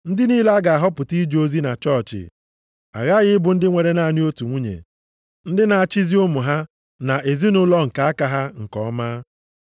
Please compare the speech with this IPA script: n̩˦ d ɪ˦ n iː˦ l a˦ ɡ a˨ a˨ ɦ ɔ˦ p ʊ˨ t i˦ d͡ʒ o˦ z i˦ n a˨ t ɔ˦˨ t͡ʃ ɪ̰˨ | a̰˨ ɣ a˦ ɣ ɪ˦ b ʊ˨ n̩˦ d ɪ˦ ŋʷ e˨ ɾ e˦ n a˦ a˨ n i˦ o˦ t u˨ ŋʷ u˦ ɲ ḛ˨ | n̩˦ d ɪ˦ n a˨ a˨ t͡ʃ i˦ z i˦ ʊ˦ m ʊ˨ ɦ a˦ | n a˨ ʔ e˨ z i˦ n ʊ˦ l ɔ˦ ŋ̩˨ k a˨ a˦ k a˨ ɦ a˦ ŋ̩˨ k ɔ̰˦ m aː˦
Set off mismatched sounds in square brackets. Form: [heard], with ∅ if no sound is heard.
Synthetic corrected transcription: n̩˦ d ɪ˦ n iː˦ l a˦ ɡ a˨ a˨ ɦ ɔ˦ p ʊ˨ t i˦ d͡ʒ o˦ z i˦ n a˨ [t͡ʃ] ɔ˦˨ t͡ʃ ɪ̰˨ | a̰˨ ɣ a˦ ɣ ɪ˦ b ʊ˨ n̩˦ d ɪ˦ ŋʷ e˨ ɾ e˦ n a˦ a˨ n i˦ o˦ t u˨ ŋʷ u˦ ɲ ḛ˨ | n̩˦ d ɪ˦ n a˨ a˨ t͡ʃ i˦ z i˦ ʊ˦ m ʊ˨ ɦ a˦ | n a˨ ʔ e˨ z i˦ n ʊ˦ l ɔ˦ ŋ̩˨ k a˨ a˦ k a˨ ɦ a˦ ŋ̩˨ k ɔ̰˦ m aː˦